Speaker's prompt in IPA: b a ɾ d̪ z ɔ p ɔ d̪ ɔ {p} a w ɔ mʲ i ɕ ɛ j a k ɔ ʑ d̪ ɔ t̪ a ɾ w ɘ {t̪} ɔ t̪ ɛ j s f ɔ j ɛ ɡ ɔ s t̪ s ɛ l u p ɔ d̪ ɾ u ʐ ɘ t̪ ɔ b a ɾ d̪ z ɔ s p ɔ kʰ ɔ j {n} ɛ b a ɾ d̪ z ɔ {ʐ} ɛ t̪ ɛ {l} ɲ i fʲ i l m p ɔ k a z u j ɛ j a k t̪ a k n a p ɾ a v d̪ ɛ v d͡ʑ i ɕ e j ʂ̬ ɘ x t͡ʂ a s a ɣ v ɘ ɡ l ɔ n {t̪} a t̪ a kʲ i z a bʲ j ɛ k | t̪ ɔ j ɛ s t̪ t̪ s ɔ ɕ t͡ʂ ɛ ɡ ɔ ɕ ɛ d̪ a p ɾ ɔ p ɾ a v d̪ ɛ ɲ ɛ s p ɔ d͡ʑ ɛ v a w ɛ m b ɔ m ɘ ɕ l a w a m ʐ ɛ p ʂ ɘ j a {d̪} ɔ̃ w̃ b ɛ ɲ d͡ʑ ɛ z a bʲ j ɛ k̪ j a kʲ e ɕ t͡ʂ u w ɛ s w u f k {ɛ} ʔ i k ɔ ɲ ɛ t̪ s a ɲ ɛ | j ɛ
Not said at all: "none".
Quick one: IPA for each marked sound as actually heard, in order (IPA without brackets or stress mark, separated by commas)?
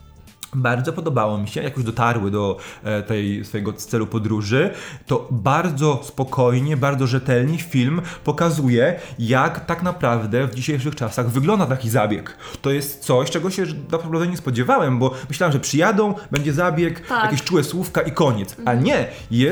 b, d̪, ɲ, ʐ, l, d̪, d̪, a